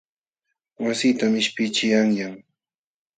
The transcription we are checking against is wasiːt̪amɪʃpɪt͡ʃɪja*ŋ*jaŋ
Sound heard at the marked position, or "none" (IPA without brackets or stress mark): ŋ